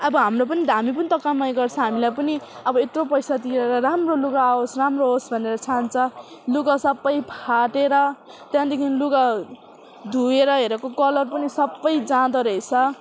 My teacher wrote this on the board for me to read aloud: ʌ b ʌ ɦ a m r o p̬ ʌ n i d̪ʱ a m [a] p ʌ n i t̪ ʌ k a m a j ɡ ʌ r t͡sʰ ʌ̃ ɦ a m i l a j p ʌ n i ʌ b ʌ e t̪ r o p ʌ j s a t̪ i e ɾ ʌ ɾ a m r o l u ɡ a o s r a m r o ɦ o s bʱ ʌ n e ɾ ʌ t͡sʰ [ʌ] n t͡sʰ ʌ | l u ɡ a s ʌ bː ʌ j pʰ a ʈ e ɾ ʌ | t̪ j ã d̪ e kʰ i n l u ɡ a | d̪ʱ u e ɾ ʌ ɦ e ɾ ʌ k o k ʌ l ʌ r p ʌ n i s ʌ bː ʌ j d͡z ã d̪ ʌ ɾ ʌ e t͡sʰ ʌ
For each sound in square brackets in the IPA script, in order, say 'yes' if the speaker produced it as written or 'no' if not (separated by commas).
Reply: no, no